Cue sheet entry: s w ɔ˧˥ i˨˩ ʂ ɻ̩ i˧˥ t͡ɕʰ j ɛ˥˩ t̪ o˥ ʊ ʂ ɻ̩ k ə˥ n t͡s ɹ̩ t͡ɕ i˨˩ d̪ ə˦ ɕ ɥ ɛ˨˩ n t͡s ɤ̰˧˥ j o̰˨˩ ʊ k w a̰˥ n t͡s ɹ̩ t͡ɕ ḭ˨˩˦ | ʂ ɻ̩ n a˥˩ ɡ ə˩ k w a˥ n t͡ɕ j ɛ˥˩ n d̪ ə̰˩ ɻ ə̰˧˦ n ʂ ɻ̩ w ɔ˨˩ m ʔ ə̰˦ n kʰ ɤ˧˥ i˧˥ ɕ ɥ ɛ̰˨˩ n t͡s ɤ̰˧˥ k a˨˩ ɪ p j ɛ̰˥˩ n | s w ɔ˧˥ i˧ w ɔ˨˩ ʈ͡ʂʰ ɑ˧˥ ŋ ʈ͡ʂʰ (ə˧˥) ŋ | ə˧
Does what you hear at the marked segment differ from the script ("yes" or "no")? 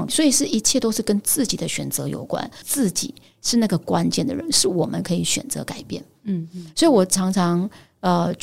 yes